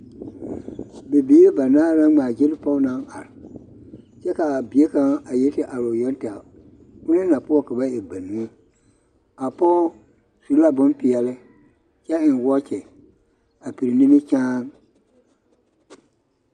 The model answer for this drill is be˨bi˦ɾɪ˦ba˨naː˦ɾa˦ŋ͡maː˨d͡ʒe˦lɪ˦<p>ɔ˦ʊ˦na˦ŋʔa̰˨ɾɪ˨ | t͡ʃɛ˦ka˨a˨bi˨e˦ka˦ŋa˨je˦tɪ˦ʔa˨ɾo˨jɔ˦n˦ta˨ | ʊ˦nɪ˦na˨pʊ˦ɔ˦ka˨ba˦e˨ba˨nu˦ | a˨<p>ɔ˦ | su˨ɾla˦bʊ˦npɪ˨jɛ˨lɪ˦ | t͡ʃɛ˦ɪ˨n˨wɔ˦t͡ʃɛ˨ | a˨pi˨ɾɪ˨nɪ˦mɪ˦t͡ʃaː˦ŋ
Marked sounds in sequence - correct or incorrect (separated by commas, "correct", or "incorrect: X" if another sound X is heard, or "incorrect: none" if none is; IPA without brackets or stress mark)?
correct, correct